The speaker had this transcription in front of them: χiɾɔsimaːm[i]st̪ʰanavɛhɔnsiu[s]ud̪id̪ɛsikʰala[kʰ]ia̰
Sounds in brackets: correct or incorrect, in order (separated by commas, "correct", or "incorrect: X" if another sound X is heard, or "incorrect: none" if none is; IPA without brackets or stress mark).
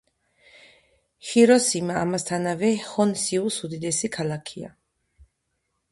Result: incorrect: a, correct, correct